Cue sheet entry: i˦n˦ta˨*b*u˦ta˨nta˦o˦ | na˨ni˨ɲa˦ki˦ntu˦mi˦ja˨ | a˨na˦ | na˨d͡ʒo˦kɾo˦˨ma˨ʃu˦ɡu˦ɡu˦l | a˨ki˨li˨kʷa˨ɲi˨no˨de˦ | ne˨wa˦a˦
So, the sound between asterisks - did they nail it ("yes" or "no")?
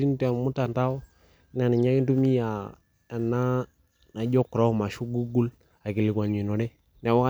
no